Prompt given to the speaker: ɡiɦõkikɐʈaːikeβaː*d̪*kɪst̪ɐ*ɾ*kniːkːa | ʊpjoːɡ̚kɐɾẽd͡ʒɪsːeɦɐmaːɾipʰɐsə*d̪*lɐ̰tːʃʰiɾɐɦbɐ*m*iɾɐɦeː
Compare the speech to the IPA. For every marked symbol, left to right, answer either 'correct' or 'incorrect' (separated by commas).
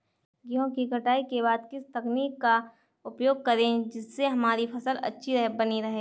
correct, incorrect, incorrect, incorrect